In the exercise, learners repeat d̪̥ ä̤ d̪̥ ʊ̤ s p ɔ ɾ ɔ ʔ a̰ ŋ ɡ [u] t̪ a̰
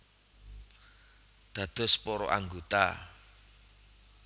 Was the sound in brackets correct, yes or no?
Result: no